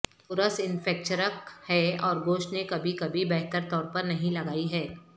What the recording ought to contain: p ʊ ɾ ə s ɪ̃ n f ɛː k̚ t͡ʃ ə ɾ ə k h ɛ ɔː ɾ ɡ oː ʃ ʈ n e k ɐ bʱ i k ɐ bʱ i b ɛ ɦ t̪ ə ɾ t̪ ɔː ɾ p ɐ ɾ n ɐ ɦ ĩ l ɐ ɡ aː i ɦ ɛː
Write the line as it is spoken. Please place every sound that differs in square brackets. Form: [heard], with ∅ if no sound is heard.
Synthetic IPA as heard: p ʊ ɾ ə s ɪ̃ n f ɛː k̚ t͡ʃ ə ɾ ə k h ɛ ɔː ɾ ɡ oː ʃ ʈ n e k ɐ bʱ i k ɐ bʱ i b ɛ ɦ t̪ ə ɾ t̪ ɔː ɾ p ɐ ɾ n ɐ ɦ ĩ l ɐ ɡ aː i ɦ ɛː